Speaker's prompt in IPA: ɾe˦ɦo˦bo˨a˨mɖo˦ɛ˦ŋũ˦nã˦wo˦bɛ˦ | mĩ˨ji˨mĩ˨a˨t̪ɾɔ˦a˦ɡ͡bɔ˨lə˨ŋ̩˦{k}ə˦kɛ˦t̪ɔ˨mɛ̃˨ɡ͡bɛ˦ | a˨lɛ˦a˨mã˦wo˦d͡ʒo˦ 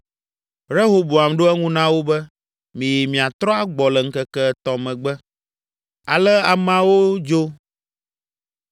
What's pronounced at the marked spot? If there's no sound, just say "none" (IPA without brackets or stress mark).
k